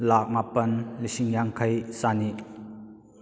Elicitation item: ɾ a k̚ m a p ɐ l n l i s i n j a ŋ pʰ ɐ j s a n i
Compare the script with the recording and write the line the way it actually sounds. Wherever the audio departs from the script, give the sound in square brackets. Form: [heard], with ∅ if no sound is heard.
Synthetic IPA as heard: [l] a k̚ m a p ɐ [∅] n l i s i [ŋ] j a ŋ [kʰ] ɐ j s a n i

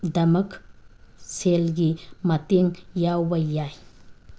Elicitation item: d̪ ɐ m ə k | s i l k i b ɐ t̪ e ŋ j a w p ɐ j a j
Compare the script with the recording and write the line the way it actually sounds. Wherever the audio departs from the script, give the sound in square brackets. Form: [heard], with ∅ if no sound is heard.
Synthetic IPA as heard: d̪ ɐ m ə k | s [e] l [ɡ] i [m] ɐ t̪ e ŋ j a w [b] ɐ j a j

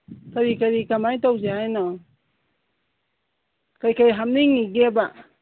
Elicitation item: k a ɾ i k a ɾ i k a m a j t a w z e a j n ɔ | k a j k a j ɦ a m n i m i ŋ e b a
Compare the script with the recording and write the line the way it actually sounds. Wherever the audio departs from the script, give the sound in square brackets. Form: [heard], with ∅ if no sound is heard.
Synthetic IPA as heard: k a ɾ i k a ɾ i k a m a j t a w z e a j n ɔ | k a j k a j ɦ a m n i [ŋ] i [ɡ] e b a

